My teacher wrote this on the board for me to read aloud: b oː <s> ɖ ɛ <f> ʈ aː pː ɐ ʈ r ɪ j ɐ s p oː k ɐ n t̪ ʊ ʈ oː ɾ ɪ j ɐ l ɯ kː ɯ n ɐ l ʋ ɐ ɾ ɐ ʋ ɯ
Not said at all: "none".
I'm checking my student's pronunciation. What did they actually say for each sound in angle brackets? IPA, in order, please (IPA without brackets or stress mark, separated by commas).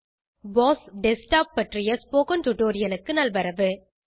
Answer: s, s